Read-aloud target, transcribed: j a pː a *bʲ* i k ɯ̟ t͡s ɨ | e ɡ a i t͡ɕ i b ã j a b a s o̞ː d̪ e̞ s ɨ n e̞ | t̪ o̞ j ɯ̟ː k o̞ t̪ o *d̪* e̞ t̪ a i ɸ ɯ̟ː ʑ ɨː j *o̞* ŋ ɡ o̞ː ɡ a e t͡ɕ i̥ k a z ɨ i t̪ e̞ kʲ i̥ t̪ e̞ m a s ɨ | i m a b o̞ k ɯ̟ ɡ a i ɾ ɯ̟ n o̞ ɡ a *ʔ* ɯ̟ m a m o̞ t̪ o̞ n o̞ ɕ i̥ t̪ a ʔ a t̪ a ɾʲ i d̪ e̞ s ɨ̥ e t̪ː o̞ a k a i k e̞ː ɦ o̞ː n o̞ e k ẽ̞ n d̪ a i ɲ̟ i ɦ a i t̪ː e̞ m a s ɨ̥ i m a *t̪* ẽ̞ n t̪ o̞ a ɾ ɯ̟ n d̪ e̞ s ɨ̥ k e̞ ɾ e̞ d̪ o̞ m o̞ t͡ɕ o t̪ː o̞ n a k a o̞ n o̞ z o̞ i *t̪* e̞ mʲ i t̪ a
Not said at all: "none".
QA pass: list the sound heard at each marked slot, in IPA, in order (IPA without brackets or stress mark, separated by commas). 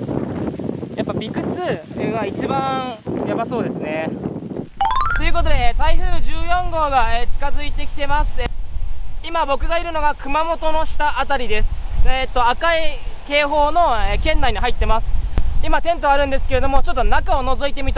bʲ, d̪, õ̞, k, t̪, t̪